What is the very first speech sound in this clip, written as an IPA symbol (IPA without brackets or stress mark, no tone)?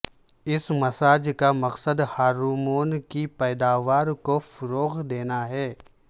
ɪ